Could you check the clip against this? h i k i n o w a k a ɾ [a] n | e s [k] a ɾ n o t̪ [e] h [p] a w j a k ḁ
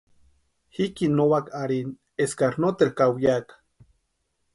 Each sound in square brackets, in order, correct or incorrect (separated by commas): incorrect, correct, correct, incorrect